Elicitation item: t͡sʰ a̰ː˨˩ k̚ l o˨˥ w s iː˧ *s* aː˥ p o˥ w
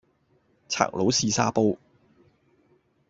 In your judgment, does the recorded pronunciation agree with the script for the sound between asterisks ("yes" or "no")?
yes